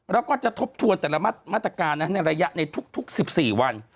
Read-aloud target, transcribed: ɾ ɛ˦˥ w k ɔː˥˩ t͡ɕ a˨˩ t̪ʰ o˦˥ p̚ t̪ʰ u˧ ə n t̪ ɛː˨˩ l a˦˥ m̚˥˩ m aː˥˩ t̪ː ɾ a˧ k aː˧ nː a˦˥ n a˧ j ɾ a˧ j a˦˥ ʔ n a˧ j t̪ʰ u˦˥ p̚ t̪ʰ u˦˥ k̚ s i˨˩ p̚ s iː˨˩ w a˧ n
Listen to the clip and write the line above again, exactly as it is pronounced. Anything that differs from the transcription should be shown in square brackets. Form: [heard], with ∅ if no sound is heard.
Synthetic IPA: ɾ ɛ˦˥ w k ɔː˥˩ t͡ɕ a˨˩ t̪ʰ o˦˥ p̚ t̪ʰ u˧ ə n t̪ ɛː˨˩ l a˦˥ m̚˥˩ m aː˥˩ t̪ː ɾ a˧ k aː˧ nː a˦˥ n a˧ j ɾ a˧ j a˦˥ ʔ n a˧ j t̪ʰ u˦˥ [k̚] t̪ʰ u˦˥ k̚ s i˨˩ p̚ s iː˨˩ w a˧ n